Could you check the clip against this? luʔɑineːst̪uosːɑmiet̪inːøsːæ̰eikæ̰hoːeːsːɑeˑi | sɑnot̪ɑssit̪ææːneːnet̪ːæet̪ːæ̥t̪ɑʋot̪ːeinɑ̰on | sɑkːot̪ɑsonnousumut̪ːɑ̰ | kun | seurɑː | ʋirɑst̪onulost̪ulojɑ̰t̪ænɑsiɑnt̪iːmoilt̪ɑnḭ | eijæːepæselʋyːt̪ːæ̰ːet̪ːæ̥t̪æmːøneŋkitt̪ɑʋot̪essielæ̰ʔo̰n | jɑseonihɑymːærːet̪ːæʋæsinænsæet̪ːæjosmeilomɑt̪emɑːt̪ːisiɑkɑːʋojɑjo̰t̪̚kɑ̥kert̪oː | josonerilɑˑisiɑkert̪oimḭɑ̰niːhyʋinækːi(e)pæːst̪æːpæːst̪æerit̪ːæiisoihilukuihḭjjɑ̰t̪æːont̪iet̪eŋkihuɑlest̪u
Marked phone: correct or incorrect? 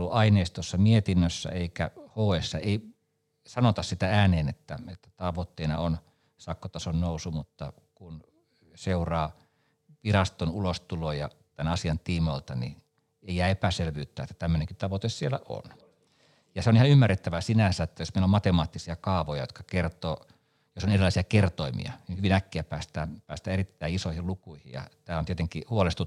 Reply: incorrect